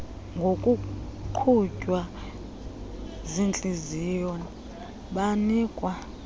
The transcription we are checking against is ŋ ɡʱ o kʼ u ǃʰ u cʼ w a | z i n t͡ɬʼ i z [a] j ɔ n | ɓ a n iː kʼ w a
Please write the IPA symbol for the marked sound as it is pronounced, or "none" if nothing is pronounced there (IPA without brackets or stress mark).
i